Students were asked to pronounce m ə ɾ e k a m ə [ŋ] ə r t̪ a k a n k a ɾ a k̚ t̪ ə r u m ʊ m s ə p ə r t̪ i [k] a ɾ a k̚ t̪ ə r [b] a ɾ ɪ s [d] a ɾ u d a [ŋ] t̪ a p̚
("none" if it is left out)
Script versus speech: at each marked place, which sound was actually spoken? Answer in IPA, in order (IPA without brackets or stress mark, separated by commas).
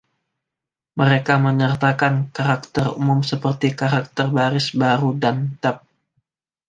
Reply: ɲ, k, b, b, n